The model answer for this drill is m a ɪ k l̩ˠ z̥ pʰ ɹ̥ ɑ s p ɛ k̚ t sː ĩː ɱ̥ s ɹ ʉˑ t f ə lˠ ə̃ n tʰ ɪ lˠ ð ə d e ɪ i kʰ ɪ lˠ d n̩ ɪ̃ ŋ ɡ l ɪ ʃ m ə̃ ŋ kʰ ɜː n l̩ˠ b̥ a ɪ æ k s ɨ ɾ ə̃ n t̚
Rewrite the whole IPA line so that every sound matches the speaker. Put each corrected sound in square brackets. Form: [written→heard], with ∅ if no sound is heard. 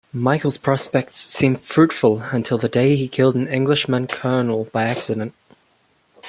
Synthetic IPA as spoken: m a ɪ k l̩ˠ z̥ pʰ ɹ̥ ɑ s p ɛ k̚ t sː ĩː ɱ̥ [s→f] ɹ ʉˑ t f ə lˠ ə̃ n tʰ ɪ lˠ ð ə d e ɪ i kʰ ɪ lˠ d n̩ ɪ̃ ŋ ɡ l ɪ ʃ m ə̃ [ŋ→n] kʰ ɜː n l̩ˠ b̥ a ɪ æ k s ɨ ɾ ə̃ n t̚